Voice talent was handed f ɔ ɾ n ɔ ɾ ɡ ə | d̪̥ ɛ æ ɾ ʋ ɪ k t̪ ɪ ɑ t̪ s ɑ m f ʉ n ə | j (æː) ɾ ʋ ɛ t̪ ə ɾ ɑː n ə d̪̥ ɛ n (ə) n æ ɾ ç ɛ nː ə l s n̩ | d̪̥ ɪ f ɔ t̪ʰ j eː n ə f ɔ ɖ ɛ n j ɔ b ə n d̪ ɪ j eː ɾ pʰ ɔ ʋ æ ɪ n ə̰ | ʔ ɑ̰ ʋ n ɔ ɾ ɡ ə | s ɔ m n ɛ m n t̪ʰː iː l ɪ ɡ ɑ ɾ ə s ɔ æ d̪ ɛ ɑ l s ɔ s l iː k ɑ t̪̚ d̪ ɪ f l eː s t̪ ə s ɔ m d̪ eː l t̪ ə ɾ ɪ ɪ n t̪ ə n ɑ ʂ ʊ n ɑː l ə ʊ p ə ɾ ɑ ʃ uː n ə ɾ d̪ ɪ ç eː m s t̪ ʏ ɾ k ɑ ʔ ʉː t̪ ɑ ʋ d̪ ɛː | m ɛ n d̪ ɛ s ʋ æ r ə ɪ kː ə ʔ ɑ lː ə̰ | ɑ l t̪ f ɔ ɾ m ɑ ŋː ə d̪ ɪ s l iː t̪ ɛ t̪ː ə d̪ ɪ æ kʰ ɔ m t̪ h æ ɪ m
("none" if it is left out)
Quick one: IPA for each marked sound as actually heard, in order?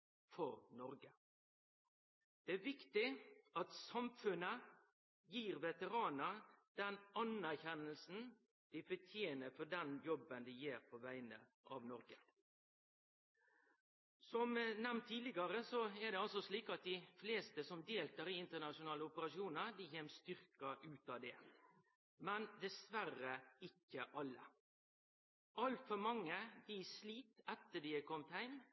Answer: iː, ɑ

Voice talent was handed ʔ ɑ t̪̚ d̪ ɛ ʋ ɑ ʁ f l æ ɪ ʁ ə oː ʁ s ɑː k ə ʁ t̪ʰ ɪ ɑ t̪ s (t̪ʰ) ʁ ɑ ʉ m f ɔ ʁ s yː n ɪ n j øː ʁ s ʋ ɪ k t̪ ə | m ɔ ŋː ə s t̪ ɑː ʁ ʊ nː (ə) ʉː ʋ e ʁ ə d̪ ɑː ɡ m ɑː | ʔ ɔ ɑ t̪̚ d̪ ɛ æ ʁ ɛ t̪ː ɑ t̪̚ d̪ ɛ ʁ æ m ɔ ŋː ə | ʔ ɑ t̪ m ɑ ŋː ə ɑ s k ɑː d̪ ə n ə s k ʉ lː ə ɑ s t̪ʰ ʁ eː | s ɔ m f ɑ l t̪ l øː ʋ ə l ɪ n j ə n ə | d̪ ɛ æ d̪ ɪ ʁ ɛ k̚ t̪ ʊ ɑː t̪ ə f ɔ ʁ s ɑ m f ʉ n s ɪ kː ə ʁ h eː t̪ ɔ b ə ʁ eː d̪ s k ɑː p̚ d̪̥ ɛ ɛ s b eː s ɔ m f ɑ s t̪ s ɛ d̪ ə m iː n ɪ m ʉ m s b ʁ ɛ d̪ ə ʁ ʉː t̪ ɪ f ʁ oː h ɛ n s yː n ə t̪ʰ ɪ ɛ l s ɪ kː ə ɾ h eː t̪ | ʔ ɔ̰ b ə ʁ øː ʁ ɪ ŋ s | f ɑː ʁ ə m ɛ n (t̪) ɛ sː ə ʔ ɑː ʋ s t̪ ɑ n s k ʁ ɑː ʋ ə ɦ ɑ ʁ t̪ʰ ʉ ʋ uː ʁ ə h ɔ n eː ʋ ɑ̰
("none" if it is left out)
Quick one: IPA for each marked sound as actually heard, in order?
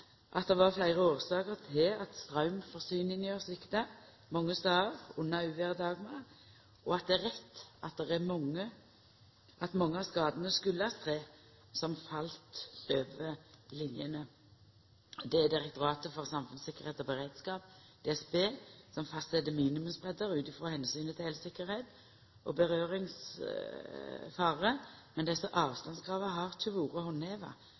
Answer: t̪, ɑ, d̪

